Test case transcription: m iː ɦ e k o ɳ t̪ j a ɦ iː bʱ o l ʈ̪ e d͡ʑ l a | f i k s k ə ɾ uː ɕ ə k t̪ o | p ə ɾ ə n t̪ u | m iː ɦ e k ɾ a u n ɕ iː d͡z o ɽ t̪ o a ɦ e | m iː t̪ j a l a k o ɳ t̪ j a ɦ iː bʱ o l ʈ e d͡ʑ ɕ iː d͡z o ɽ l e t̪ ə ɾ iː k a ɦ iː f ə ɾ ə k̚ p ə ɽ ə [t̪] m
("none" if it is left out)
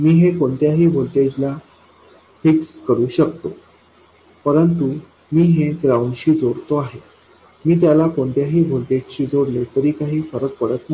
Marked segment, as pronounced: t̪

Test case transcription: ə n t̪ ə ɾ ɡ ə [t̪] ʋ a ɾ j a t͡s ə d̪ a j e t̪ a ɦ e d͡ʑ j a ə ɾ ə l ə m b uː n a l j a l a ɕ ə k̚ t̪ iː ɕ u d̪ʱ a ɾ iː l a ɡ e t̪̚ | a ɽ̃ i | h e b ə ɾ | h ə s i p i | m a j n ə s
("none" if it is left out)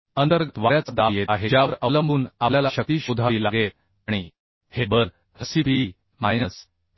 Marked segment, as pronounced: t̪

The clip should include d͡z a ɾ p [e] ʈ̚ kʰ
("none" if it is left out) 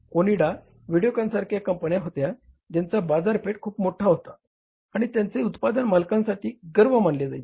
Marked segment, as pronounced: e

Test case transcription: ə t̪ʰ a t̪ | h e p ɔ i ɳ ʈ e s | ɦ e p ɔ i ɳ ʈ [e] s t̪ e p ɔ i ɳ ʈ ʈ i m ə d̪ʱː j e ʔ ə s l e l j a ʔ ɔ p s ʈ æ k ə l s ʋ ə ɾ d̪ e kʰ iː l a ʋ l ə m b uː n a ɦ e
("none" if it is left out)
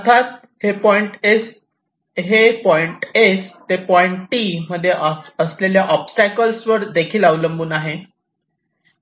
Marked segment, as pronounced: e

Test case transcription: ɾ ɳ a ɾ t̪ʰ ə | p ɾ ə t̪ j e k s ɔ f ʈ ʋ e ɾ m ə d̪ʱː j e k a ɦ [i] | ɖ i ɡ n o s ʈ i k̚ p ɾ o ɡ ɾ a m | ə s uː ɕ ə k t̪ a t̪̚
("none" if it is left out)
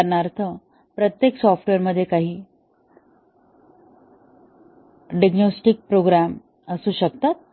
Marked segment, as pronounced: iː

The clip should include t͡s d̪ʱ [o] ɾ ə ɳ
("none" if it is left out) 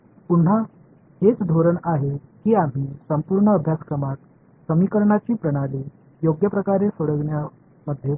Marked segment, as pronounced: o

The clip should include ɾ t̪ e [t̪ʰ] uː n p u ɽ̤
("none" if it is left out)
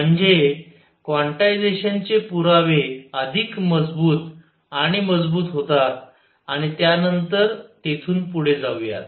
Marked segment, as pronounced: t̪ʰ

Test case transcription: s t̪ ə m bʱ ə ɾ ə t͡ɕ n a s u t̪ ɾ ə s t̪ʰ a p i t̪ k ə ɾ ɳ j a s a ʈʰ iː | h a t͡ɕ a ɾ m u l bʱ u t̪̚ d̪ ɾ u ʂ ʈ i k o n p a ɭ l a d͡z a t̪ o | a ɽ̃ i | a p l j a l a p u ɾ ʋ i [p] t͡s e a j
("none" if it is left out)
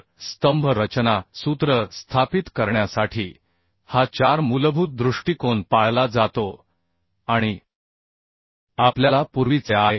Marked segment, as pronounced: none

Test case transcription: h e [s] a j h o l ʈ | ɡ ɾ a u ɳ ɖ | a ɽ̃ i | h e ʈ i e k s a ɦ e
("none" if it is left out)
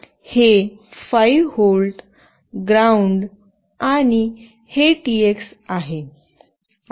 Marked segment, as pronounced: f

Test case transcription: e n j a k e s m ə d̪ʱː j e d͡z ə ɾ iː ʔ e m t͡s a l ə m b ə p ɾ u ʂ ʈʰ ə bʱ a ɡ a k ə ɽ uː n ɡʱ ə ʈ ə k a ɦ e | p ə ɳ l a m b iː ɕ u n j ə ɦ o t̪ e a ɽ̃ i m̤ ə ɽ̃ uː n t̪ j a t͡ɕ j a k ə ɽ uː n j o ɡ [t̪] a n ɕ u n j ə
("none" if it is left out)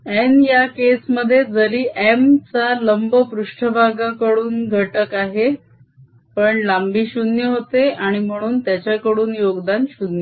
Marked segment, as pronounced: d̪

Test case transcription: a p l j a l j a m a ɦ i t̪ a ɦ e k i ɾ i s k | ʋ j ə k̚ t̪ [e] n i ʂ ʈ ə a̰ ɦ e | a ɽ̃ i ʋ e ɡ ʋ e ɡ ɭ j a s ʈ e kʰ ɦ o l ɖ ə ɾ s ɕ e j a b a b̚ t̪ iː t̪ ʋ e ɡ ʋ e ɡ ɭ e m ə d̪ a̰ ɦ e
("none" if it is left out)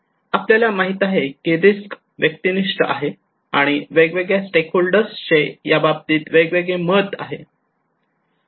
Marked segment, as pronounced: i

